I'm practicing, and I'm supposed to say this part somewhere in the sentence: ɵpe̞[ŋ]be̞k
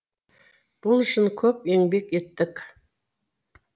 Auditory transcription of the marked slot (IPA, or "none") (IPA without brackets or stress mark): ŋ